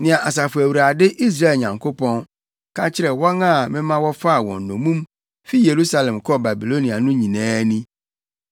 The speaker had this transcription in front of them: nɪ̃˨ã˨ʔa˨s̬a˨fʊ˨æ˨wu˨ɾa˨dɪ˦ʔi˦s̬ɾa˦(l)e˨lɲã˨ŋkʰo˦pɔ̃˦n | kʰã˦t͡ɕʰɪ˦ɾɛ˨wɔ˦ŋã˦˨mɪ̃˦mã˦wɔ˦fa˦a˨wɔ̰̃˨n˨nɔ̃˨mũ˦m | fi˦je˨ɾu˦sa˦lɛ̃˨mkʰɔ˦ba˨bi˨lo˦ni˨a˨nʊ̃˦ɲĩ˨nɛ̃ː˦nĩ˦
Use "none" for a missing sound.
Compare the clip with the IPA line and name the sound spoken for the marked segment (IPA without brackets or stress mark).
none